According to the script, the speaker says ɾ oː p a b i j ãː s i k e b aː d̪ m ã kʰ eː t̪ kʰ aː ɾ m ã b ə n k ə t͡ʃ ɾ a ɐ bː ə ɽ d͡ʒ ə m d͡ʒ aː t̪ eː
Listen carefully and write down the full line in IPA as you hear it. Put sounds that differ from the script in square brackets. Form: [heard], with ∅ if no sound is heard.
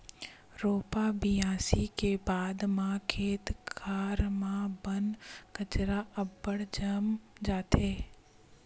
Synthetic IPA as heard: ɾ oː p a b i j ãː s i k e b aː d̪ m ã kʰ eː t̪ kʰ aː ɾ m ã b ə n k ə t͡ʃ ɾ a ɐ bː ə ɽ d͡ʒ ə m d͡ʒ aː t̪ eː